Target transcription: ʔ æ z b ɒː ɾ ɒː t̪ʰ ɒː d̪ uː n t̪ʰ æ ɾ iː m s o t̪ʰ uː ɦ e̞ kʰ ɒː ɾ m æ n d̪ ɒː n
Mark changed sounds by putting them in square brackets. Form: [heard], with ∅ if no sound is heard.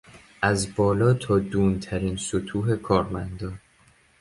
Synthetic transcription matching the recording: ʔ æ z b ɒː [l] ɒː t̪ʰ ɒː d̪ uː n t̪ʰ æ ɾ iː [n] s o t̪ʰ uː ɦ e̞ kʰ ɒː ɾ m æ n d̪ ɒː n